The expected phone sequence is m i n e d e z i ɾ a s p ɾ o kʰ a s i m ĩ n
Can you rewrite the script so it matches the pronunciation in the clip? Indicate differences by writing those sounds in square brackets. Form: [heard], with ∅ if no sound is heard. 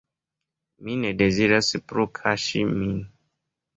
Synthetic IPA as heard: m i n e d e z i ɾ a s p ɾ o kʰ a [ʃ] i m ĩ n